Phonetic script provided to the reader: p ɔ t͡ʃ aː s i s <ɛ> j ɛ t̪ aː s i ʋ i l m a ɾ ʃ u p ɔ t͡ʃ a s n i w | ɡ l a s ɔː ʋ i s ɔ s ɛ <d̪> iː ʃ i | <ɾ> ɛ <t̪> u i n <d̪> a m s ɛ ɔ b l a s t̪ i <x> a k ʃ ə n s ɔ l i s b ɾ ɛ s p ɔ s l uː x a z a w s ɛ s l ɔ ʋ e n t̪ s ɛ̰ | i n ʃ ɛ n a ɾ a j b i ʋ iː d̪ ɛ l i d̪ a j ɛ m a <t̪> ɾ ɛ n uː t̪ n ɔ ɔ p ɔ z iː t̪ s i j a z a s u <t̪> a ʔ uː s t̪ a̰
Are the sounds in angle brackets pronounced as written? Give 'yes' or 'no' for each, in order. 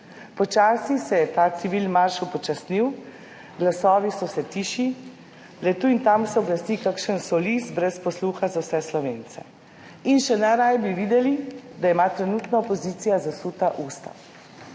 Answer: yes, no, no, yes, no, no, yes, yes

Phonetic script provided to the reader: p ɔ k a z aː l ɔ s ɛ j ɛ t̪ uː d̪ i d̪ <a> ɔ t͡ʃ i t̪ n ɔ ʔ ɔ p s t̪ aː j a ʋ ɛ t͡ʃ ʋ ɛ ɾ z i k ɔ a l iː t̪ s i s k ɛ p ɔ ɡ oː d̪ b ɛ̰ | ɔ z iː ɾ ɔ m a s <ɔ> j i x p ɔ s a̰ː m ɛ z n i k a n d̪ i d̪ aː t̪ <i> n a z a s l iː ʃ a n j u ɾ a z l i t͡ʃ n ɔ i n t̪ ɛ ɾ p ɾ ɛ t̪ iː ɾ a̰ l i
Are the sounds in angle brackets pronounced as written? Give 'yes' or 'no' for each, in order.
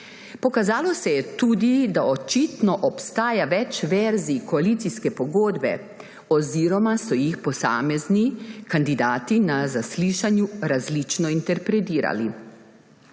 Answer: yes, yes, yes

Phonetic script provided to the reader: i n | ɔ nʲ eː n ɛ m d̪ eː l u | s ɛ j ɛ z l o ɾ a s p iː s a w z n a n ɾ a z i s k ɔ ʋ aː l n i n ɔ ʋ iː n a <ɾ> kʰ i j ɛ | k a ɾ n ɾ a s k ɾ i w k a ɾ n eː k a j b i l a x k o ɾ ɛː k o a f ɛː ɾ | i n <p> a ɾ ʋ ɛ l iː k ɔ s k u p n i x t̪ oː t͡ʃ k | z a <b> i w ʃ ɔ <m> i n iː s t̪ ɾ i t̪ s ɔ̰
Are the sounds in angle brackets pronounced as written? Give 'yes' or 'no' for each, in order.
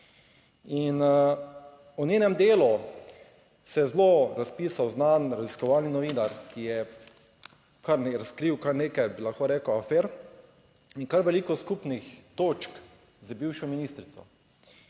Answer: yes, no, yes, yes

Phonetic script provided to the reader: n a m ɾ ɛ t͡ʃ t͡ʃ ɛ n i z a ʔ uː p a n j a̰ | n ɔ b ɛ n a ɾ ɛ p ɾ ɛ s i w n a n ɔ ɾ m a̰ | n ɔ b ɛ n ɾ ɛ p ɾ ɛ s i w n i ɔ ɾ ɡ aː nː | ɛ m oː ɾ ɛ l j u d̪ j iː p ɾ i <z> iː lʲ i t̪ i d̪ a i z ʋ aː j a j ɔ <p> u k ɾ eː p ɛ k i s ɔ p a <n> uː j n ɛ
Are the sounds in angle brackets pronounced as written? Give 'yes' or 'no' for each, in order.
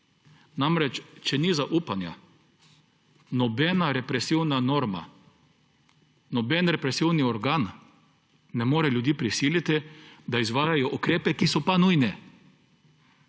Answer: no, no, yes

